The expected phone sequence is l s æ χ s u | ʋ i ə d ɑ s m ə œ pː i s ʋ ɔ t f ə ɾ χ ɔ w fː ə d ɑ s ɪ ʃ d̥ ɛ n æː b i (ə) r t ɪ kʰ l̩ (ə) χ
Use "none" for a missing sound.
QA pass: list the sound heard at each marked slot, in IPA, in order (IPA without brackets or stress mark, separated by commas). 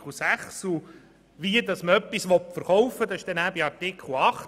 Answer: ɑ, ɑ